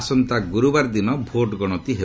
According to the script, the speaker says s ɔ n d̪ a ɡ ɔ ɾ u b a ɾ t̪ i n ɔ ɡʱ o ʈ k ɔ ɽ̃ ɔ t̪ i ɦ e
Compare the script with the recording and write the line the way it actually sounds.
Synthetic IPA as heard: s ɔ n t̪ a ɡ u ɾ u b a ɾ d̪ i n ɔ bʱ o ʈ ɡ ɔ ɽ̃ ɔ t̪ i ɦ e